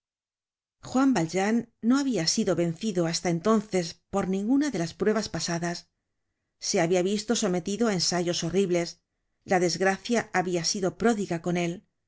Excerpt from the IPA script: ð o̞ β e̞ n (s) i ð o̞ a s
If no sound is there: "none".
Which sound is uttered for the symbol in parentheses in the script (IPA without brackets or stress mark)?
θ